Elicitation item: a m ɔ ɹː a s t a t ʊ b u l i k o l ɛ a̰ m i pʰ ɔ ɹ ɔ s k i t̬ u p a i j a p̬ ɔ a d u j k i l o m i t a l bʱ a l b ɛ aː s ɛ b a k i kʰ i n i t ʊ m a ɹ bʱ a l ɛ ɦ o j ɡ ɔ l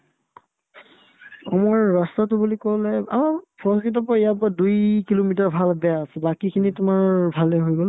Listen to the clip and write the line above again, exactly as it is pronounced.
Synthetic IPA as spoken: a m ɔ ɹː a s t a t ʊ b u l i k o l ɛ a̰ m a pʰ ɔ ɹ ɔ s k i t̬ ɔ p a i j a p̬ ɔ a d u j k i l o m i t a ɹ bʱ a l b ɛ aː s ɛ b a k i kʰ i n i t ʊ m a ɹ bʱ a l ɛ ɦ o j ɡ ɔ l